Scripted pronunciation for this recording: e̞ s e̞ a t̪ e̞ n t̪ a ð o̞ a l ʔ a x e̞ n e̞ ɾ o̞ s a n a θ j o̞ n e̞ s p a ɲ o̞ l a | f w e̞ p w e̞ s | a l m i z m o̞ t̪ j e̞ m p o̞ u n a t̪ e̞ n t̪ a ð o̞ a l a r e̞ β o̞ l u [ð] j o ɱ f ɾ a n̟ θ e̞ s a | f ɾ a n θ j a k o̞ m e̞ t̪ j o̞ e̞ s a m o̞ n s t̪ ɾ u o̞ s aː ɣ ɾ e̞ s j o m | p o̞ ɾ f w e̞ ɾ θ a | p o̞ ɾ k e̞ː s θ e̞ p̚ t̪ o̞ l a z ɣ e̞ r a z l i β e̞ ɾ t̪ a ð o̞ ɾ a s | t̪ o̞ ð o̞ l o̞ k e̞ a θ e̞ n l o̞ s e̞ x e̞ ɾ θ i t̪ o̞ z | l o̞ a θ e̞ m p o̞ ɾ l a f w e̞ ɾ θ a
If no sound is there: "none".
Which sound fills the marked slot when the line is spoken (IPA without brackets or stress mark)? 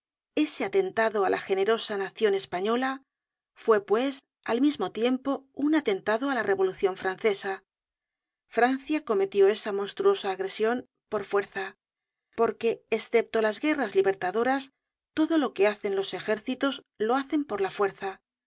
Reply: θ